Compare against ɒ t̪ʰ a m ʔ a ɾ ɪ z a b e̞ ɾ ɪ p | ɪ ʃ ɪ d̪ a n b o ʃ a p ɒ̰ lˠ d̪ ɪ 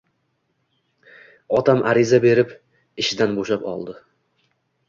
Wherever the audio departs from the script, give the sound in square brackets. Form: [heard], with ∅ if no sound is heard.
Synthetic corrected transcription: ɒ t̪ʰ a m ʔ a ɾ ɪ z a b e̞ ɾ ɪ p | ɪ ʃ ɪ d̪ a n b o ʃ a p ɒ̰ lˠ d̪ ɪ